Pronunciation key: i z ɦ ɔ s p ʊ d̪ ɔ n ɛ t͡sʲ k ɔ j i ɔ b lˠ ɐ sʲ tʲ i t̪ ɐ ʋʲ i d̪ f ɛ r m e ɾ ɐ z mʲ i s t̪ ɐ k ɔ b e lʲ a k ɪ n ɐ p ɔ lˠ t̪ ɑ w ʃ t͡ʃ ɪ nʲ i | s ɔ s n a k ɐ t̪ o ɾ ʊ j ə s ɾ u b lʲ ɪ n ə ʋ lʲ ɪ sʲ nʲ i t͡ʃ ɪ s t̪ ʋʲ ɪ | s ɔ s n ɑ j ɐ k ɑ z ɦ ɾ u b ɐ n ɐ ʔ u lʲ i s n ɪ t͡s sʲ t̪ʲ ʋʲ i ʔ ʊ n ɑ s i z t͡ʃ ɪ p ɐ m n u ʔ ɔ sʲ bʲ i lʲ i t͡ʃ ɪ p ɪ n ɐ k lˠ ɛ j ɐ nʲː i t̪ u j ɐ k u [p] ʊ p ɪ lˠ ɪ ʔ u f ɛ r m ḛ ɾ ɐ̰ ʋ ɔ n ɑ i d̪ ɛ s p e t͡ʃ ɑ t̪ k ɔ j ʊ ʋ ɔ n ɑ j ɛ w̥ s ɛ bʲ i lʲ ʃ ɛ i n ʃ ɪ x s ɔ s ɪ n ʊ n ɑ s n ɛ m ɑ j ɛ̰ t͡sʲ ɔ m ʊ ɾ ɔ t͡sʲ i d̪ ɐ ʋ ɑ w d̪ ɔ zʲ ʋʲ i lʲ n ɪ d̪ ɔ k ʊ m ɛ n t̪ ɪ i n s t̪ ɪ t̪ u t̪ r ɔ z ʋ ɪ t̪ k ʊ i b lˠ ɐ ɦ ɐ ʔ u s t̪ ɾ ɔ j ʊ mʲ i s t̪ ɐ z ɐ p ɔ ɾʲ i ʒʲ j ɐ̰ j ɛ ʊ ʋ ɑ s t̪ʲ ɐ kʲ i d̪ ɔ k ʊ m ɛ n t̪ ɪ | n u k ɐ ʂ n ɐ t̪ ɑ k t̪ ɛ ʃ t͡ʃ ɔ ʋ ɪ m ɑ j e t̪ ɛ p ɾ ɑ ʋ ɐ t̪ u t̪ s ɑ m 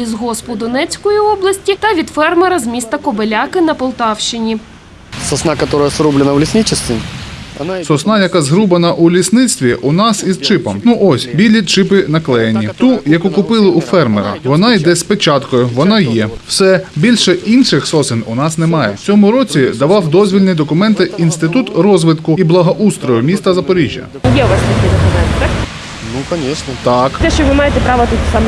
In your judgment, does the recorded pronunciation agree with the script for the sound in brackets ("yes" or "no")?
no